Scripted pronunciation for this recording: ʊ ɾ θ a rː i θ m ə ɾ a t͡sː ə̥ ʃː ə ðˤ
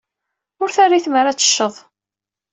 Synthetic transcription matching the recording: ʊ ɾ θ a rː i θ m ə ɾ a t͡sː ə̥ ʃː ə ðˤ

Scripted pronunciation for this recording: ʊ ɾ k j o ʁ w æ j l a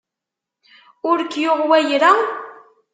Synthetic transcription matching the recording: ʊ ɾ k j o ʁ w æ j ɾ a

